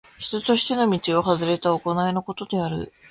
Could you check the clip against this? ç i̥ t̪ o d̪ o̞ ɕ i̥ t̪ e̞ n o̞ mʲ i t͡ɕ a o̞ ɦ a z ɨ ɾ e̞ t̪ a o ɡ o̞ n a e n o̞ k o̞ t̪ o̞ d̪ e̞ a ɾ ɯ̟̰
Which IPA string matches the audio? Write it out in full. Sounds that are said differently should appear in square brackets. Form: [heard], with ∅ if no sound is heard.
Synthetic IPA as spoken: ç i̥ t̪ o [t̪] o̞ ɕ i̥ t̪ e̞ n o̞ mʲ i t͡ɕ [i] o̞ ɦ a z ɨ ɾ e̞ t̪ a o [k] o̞ n a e n o̞ k o̞ t̪ o̞ d̪ e̞ a ɾ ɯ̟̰